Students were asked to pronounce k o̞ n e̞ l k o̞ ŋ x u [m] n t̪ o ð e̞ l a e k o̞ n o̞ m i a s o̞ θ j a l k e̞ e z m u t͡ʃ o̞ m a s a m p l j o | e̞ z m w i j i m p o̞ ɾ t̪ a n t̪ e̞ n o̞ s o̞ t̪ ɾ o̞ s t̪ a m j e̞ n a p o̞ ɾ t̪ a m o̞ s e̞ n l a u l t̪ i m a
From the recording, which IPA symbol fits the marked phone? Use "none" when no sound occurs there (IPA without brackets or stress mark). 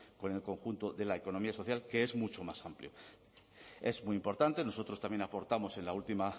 none